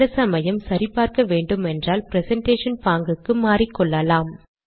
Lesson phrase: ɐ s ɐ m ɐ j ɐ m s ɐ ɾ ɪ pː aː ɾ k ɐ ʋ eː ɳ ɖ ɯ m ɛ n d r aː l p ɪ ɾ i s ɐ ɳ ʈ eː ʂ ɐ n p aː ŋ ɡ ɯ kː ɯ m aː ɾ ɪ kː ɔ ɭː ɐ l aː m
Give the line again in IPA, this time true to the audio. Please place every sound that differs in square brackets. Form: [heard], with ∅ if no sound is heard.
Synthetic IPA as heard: ɐ s ɐ m ɐ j ɐ m s ɐ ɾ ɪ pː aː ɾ k ɐ ʋ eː ɳ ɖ ɯ m ɛ n d r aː l p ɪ ɾ [ɛ] s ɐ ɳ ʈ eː ʂ ɐ n p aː ŋ ɡ ɯ kː ɯ m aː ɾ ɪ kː ɔ ɭː ɐ l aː m